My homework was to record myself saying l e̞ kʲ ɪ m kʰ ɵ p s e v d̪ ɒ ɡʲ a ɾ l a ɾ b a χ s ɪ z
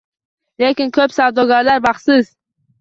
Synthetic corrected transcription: l e̞ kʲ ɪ n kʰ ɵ p s a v d̪ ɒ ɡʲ a ɾ l a ɾ b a χ s ɪ z